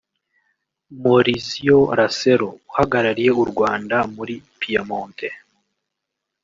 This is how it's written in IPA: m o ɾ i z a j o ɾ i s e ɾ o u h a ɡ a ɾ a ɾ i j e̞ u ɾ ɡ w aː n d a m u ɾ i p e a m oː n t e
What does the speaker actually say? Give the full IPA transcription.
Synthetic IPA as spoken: m o ɾ i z i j o ɾ a s e ɾ o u h a ɡ a ɾ a ɾ i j e̞ u ɾ ɡ w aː n d a m u ɾ i p i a m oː n t e